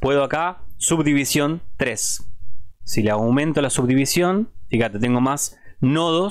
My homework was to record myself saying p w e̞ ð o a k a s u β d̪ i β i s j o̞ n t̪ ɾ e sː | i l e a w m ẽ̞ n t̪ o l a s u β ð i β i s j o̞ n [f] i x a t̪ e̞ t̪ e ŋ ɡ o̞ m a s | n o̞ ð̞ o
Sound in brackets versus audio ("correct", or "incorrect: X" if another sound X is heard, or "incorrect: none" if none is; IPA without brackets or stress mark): correct